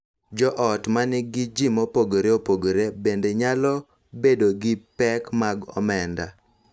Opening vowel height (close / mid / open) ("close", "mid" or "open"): mid